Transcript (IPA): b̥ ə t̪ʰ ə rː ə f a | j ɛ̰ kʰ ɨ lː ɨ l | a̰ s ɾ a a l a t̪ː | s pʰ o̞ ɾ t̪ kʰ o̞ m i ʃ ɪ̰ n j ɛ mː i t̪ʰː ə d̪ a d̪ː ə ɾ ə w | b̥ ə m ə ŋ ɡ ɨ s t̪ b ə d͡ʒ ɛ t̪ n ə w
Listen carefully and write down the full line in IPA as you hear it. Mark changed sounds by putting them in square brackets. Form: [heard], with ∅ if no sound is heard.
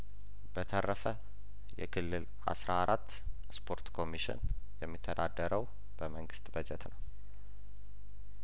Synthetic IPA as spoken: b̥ ə t̪ʰ ə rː ə f [ə] | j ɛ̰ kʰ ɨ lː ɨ l | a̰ s ɾ a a [ɾ] a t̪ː | s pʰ o̞ ɾ t̪ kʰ o̞ m i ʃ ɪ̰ n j ɛ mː i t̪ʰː ə d̪ a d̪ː ə ɾ ə w | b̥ ə m ə ŋ ɡ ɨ s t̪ b ə d͡ʒ ɛ t̪ n ə w